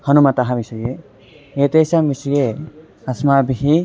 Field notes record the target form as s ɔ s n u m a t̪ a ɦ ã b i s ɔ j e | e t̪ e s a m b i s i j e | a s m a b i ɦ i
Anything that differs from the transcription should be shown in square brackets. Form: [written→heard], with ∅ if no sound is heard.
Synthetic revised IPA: [s→h] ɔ [s→∅] n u m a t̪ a ɦ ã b i s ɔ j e | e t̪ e s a m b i s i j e | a s m a b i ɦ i